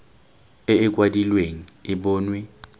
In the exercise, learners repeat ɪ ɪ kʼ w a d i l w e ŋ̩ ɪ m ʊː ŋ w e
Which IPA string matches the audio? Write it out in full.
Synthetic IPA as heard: ɪ ɪ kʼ w a d i l w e ŋ̩ ɪ b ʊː n w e